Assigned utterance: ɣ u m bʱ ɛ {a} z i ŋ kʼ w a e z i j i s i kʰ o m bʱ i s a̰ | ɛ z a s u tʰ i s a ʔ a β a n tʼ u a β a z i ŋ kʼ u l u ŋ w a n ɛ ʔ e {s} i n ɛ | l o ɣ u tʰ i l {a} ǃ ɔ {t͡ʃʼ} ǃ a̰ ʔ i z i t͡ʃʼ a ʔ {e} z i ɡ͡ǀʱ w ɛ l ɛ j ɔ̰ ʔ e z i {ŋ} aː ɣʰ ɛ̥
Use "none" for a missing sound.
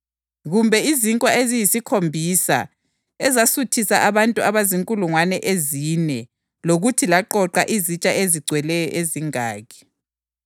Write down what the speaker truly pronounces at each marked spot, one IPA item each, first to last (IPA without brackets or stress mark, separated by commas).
i, z, a, none, e, ŋ